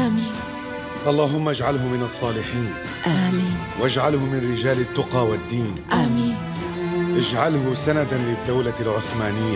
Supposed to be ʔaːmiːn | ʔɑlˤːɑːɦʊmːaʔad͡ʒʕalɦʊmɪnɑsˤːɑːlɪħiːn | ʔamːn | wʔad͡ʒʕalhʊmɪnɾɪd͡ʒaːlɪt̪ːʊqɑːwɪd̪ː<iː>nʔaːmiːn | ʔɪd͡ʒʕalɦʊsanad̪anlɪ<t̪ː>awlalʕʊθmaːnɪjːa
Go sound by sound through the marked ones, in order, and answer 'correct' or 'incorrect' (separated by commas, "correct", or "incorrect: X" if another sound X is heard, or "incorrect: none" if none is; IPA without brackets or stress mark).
correct, incorrect: d̪ː